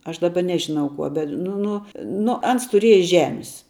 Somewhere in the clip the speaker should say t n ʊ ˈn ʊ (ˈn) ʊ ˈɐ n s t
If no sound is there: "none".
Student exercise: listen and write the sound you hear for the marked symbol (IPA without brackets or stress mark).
n